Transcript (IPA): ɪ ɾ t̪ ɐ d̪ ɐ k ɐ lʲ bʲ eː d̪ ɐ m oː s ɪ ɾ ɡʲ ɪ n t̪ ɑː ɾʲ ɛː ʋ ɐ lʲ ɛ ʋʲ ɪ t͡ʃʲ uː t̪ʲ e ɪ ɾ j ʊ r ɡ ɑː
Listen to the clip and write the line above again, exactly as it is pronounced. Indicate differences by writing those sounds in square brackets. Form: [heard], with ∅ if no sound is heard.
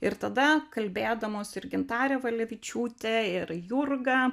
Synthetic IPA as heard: ɪ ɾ t̪ ɐ d̪ ɐ k ɐ lʲ bʲ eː d̪ ɐ m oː s ɪ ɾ ɡʲ ɪ n t̪ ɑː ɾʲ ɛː ʋ ɐ lʲ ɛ ʋʲ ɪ t͡ʃʲ uː t̪ʲ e ɪ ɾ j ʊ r ɡ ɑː